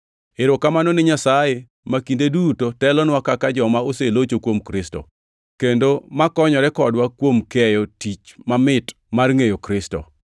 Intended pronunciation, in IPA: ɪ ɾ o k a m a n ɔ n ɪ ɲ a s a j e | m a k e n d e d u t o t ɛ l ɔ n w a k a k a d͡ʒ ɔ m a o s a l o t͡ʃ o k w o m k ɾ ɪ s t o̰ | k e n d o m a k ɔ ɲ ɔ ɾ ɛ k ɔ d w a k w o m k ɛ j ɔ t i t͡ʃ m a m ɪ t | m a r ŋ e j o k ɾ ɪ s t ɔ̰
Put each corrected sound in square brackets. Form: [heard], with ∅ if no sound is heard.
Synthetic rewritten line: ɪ ɾ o k a m a n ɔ n ɪ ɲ a s a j e | m a k [i] n d e d u t o t ɛ l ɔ n w a k a k a d͡ʒ ɔ m a o s [e] l o t͡ʃ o k w o m k ɾ ɪ s t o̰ | k e n d o m a k ɔ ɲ ɔ ɾ ɛ k ɔ d w a k w o m k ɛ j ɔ t i t͡ʃ m a m ɪ t | m a r ŋ e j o k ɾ ɪ s t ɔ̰